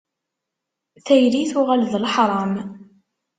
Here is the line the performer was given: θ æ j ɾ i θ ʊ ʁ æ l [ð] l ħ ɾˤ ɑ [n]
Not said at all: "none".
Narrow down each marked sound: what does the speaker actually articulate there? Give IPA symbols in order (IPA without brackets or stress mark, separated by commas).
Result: ð, m